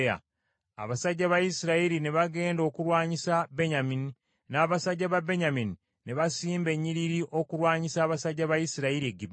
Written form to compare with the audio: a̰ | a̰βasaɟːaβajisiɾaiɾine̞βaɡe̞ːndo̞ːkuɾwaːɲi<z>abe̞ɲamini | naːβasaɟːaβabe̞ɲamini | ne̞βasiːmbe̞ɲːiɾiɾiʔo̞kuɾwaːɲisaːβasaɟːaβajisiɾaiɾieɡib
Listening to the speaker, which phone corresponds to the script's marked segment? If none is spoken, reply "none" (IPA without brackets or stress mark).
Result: s